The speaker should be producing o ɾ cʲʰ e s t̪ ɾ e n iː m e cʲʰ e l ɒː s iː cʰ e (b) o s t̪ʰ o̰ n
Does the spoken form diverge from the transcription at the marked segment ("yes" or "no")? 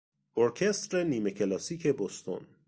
no